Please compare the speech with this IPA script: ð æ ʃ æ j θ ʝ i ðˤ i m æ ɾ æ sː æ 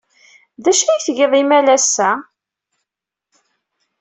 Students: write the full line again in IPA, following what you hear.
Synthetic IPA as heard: ð æ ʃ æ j θ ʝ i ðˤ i m æ l æ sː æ